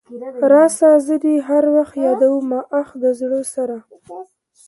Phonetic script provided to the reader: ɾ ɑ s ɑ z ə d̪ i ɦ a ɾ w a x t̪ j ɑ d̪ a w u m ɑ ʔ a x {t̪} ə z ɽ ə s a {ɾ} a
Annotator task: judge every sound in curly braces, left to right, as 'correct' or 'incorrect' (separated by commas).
incorrect, correct